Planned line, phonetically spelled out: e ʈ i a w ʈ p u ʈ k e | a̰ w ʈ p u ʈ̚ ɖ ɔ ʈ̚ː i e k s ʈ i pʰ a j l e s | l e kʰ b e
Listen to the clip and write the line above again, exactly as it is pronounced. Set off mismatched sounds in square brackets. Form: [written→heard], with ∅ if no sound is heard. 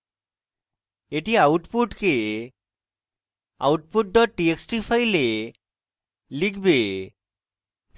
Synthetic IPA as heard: e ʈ i a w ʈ p u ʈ k e | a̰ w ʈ p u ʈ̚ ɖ ɔ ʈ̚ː i e k s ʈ i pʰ a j l e [s→∅] | l [e→i] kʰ b e